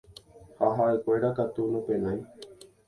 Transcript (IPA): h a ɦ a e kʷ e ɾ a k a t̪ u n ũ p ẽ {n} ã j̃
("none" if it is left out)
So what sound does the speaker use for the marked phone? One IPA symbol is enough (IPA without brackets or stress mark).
n